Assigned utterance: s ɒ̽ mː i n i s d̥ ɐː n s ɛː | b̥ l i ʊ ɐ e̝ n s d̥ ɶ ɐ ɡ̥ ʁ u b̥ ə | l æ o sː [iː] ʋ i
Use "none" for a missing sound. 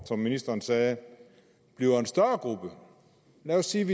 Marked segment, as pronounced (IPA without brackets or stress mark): iː